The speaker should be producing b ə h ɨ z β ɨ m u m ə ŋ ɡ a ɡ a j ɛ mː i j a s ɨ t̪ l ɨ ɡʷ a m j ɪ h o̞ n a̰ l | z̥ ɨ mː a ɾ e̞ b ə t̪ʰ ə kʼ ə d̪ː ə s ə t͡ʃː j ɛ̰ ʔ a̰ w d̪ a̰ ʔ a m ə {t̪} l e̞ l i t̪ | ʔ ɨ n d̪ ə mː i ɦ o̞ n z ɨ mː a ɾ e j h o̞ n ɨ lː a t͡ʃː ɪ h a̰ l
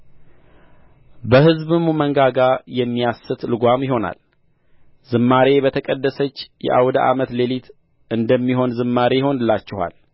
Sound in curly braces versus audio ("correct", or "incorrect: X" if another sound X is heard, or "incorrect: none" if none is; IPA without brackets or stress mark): correct